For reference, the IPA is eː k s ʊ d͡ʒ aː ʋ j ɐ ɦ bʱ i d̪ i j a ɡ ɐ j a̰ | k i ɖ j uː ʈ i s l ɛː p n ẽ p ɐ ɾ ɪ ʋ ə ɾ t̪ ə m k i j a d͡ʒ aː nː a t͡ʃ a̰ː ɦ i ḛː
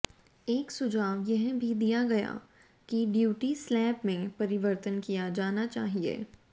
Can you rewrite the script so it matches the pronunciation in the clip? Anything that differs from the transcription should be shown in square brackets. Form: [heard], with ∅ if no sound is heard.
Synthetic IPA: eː k s ʊ d͡ʒ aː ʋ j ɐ ɦ bʱ i d̪ i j a ɡ ɐ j a̰ | k i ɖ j uː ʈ i s l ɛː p [m] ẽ p ɐ ɾ ɪ ʋ ə ɾ t̪ ə [n] k i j a d͡ʒ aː [n] a t͡ʃ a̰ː ɦ i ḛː